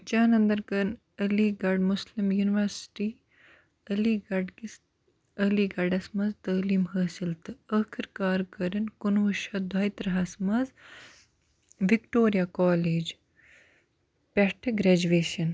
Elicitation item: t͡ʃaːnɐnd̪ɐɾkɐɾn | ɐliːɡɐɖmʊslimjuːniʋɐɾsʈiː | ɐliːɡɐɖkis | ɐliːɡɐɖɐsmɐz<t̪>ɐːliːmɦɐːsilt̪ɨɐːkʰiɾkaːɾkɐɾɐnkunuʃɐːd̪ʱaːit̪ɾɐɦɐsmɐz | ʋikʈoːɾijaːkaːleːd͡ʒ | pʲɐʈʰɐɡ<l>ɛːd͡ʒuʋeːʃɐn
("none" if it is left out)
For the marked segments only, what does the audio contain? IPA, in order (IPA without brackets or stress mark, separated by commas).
t̪, ɾ